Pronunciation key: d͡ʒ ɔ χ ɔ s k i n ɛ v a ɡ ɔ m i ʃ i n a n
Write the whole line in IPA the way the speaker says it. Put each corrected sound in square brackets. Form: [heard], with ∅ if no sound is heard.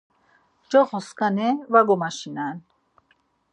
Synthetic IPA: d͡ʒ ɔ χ ɔ s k [a] n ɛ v a ɡ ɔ m [a] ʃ i n a n